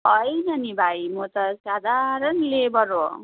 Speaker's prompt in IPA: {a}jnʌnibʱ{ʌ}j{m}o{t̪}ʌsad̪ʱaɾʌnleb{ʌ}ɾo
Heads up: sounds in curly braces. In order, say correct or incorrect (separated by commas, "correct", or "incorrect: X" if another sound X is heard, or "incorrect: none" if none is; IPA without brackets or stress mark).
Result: incorrect: ʌ, incorrect: a, correct, correct, correct